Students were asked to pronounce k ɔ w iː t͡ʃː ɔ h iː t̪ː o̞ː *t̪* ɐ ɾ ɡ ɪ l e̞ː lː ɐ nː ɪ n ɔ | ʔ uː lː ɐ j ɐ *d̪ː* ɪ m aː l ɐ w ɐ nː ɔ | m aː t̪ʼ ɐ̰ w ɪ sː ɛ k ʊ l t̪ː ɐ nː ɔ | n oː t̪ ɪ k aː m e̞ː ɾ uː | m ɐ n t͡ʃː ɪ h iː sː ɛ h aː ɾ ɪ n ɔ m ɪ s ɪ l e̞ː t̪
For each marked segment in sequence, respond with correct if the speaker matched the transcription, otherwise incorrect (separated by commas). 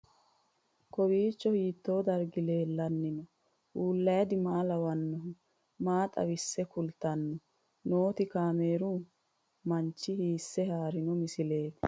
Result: incorrect, incorrect